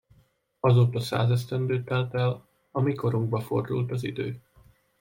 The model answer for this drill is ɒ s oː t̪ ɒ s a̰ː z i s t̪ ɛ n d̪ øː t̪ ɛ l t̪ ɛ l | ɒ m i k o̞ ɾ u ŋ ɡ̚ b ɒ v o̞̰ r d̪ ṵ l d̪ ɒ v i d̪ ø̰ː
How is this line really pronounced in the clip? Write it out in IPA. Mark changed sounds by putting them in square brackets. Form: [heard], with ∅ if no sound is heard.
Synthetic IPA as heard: ɒ [z] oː t̪ ɒ s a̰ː z [ɛ] s t̪ ɛ n d̪ øː t̪ ɛ l t̪ ɛ l | ɒ m i k o̞ ɾ u ŋ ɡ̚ b ɒ [f] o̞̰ r d̪ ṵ l [t̪] ɒ [z] i d̪ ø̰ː